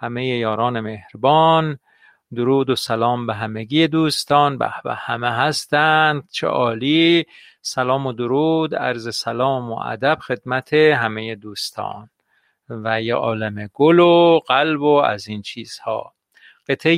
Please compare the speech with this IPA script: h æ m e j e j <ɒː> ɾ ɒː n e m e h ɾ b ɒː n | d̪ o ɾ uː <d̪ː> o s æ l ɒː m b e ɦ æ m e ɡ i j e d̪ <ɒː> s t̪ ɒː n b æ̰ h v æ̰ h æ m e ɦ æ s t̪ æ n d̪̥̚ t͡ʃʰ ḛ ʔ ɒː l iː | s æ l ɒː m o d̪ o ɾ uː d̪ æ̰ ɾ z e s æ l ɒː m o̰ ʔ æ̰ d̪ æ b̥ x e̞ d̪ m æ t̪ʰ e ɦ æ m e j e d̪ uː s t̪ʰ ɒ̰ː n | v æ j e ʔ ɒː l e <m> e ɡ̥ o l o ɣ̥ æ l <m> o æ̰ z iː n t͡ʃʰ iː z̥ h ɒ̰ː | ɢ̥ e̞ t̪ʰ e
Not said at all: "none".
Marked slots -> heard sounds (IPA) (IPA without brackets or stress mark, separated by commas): ɒː, d̪, uː, m, b